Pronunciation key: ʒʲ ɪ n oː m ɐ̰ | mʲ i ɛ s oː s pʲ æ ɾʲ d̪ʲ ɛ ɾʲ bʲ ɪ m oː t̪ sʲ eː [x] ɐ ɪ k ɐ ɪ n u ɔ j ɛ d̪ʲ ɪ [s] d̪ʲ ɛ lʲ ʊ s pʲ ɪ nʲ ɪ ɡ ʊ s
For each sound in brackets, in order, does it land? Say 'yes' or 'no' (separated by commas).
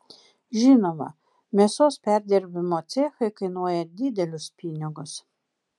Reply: yes, no